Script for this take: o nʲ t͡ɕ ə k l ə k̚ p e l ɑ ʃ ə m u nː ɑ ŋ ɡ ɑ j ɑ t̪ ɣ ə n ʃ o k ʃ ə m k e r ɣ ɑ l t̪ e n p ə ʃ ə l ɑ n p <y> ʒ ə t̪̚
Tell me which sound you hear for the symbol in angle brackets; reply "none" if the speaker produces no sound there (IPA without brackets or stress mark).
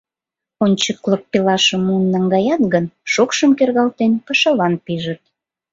i